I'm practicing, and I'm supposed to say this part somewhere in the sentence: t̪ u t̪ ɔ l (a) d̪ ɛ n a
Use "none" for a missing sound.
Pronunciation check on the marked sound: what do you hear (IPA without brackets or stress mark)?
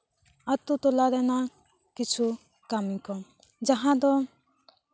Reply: a